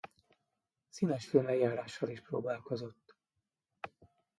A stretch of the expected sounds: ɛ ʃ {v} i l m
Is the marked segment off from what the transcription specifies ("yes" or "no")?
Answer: yes